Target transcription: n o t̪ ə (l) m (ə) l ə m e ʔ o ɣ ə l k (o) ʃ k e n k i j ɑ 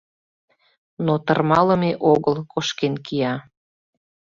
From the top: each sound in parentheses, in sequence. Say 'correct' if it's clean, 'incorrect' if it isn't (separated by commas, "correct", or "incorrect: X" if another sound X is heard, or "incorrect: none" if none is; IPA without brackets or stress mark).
incorrect: r, incorrect: ɑ, correct